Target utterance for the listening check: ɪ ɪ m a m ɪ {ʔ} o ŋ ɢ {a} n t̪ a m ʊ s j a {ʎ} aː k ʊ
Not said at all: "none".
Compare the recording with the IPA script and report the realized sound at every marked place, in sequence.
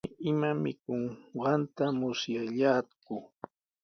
k, ɑ, ʎ

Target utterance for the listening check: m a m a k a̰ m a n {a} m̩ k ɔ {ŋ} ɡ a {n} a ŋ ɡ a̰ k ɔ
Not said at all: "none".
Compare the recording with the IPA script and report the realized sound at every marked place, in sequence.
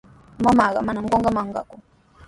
a, ŋ, m

